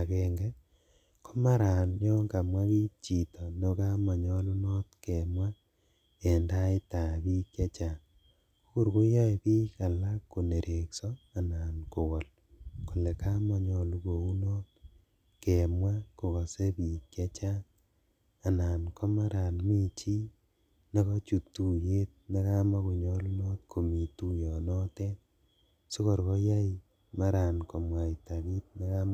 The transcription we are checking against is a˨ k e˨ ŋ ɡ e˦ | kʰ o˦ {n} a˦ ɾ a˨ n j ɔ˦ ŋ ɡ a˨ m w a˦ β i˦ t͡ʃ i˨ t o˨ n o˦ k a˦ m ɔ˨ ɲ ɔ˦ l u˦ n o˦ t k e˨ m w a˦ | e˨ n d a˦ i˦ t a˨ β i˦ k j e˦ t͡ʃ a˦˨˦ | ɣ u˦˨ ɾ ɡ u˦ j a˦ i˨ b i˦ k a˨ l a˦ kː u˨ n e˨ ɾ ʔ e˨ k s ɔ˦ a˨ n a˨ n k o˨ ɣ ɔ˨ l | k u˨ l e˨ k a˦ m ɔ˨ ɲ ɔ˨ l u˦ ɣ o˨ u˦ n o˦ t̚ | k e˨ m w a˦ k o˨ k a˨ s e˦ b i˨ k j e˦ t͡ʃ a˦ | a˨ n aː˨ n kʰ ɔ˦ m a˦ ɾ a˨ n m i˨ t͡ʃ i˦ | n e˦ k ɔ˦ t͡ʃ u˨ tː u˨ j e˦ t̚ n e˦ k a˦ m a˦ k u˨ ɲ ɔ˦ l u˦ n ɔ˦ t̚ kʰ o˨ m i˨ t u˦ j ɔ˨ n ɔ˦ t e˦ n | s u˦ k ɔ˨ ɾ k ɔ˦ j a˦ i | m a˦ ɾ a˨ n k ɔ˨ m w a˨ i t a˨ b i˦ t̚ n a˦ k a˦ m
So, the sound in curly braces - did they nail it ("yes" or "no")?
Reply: no